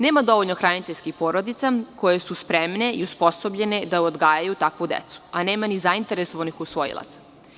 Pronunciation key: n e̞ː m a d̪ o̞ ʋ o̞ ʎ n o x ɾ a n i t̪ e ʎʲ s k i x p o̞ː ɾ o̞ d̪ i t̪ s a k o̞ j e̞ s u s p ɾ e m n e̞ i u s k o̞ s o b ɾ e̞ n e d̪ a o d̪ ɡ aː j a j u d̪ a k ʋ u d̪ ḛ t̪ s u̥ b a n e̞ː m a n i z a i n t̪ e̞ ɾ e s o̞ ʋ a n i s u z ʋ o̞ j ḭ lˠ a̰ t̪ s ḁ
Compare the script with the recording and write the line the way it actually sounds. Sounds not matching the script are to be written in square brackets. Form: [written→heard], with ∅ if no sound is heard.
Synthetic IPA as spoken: n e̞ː m a d̪ o̞ ʋ o̞ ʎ n o x ɾ a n i t̪ e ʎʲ s k i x p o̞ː ɾ o̞ d̪ i t̪ s a k o̞ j e̞ s u s p ɾ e m n e̞ i u s [k→p] o̞ s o b [ɾ→ʎ] e̞ n e d̪ a o d̪ ɡ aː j a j u [d̪→t̪] a k ʋ u d̪ ḛ t̪ s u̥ [b→∅] a n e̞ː m a n i z a i n t̪ e̞ ɾ e s o̞ ʋ a n i [s→x] u [z→s] ʋ o̞ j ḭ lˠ a̰ t̪ s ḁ